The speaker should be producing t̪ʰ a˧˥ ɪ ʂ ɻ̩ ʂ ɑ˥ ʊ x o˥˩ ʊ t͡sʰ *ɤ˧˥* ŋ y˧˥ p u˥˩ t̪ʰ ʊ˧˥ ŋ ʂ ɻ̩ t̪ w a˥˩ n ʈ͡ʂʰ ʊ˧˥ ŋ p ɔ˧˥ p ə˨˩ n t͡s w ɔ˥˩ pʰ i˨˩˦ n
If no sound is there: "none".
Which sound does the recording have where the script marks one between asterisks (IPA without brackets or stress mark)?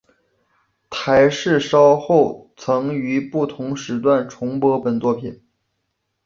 ɤ˧˥